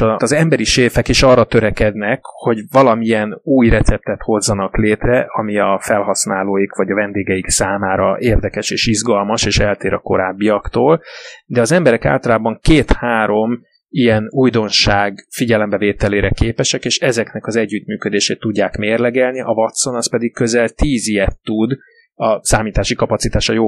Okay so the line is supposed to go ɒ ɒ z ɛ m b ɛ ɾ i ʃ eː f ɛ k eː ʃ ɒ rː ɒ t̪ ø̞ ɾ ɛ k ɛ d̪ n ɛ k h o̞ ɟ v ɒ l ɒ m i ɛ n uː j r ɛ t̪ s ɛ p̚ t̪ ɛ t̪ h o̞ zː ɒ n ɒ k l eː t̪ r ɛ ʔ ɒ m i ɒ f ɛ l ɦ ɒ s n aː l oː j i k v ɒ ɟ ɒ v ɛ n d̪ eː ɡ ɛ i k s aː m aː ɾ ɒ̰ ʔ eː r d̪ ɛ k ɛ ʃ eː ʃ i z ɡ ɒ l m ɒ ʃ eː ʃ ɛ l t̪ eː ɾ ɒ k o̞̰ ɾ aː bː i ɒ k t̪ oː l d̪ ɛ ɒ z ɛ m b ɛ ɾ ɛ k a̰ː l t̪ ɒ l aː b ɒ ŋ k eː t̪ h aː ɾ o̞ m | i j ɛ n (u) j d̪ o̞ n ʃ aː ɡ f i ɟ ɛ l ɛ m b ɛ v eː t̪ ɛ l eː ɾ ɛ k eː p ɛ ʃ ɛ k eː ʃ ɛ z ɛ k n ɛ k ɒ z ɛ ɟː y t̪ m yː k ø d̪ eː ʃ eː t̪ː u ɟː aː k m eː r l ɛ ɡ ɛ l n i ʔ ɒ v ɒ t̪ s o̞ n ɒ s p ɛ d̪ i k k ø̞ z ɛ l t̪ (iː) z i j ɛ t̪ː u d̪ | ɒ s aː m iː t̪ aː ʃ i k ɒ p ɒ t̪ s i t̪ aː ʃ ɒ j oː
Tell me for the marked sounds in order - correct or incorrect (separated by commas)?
correct, correct